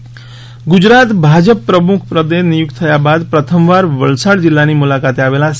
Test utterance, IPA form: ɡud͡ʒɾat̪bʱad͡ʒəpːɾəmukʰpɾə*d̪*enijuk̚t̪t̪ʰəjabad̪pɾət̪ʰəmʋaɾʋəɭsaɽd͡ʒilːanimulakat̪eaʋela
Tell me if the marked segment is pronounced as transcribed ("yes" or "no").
yes